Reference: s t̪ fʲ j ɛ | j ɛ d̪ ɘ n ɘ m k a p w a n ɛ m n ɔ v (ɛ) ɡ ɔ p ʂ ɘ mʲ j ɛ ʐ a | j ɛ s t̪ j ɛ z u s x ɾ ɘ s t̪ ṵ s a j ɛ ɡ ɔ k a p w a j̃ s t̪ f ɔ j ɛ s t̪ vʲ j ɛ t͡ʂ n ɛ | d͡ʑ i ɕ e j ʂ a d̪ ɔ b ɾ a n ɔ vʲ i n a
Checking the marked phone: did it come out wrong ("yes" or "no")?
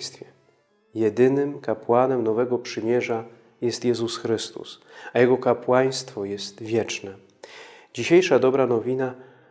no